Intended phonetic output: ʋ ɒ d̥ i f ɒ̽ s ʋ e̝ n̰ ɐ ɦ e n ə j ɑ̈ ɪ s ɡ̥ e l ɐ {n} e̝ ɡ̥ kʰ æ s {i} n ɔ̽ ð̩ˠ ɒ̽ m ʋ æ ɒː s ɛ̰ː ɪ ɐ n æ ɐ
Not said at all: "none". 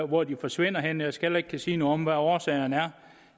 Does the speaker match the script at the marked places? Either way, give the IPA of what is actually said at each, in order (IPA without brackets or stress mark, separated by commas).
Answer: none, iː